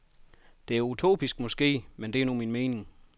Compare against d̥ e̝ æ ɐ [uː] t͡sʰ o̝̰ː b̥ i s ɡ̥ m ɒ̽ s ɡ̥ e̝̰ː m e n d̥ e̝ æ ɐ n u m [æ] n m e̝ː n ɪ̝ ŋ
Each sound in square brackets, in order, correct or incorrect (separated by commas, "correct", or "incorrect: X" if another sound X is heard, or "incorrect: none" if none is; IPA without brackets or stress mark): incorrect: u, incorrect: i